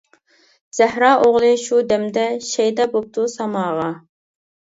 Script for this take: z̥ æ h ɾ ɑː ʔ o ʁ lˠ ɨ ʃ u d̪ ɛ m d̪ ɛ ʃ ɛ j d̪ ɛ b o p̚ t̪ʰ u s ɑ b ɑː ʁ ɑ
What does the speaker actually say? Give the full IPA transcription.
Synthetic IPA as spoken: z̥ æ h ɾ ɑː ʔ o ʁ lˠ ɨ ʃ u d̪ ɛ m d̪ ɛ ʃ ɛ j d̪ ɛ b o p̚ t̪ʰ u s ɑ m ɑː ʁ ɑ